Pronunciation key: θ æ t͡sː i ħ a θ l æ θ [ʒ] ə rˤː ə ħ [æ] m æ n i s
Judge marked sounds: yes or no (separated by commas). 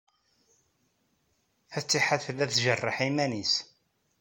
yes, no